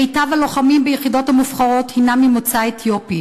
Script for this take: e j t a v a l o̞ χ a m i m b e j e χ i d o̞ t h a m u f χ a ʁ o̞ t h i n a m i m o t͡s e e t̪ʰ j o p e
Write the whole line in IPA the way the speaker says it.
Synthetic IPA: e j t a v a l o̞ χ a m i m b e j e χ i d o̞ t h a m u f χ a ʁ o̞ t h i n a m i m o t͡s a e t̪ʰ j o p i